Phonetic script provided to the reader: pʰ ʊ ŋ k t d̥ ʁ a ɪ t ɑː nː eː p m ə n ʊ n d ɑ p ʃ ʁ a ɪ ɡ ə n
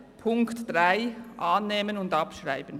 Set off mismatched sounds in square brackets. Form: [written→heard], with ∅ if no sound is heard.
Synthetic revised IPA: pʰ ʊ ŋ k t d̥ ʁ a ɪ [t→ʔ] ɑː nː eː [p→∅] m ə n ʊ n d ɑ p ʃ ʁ a ɪ [ɡ→b] ə n